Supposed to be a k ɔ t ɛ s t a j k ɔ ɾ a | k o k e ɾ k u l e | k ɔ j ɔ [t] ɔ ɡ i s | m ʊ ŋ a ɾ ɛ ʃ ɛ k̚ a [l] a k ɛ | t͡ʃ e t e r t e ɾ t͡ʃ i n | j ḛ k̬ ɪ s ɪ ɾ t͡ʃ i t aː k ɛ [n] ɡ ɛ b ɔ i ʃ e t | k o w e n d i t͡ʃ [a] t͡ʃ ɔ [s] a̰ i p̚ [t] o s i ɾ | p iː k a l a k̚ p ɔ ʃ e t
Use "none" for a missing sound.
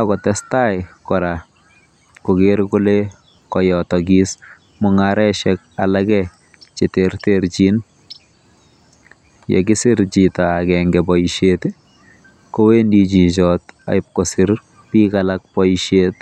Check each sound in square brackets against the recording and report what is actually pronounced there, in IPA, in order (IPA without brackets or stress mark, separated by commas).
t, l, ŋ, i, t, k